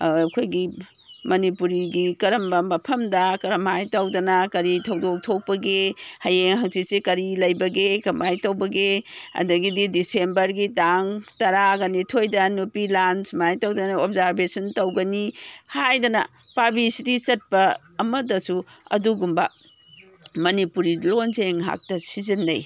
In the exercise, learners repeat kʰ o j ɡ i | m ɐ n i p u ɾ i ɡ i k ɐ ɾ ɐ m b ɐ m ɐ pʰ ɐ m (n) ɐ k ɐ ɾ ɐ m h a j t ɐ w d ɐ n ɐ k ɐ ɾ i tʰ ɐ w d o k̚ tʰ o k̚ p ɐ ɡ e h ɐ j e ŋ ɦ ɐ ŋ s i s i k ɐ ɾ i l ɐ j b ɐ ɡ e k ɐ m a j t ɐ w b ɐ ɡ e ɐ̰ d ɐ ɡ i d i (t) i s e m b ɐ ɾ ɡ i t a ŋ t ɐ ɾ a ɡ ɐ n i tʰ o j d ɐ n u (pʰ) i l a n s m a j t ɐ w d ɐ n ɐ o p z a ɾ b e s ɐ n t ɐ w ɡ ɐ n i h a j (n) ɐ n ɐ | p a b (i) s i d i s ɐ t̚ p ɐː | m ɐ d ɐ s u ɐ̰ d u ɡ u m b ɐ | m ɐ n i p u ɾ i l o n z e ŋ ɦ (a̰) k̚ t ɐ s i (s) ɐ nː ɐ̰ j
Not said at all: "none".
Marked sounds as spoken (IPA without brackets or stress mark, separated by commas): d, d, p, d, i, a̰, z